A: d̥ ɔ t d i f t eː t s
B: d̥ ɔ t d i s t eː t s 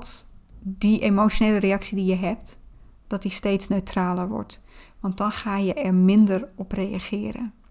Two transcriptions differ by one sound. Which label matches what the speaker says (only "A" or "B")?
B